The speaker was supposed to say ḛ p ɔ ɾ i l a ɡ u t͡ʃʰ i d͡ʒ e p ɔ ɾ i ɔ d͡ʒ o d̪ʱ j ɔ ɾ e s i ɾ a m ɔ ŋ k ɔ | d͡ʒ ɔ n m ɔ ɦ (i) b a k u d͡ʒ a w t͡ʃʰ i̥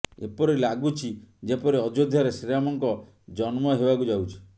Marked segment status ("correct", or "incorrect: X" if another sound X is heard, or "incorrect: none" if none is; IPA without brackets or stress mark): incorrect: e